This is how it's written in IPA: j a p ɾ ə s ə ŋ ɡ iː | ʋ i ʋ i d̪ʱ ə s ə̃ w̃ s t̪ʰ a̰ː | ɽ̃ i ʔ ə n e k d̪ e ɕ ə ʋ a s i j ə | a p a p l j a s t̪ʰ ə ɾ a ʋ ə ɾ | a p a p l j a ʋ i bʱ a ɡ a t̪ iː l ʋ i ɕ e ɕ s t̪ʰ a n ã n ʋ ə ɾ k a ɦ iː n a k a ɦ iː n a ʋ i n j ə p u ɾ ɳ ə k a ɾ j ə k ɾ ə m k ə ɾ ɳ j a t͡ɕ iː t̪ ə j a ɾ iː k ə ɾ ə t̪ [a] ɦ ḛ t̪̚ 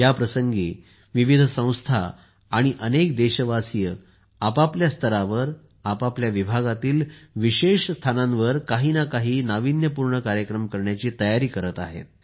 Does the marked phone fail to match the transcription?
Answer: no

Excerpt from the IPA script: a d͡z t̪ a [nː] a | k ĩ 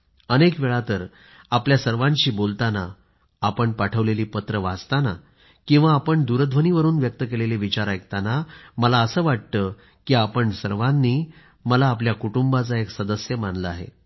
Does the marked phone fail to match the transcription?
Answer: yes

